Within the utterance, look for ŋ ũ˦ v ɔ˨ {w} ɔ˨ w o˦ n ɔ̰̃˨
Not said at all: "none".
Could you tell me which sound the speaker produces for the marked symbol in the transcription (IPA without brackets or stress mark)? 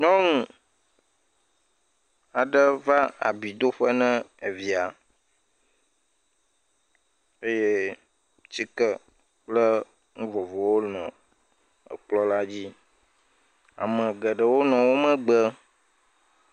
v